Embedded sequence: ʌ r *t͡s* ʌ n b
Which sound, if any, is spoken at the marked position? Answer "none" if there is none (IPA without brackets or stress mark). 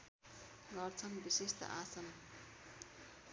t͡sʰ